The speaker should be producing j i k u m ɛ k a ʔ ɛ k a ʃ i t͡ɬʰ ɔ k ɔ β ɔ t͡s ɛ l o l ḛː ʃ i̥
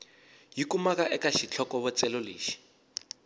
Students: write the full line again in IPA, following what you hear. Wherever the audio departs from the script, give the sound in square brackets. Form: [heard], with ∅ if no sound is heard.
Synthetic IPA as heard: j i k u m [a] k a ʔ ɛ k a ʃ i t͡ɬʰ ɔ k ɔ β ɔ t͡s ɛ l o l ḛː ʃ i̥